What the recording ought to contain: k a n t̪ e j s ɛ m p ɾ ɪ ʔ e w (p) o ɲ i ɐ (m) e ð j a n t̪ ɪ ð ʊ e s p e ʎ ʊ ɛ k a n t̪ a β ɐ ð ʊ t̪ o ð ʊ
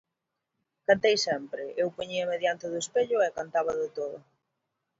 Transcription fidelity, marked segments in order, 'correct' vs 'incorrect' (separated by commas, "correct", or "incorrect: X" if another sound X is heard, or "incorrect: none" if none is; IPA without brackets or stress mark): correct, correct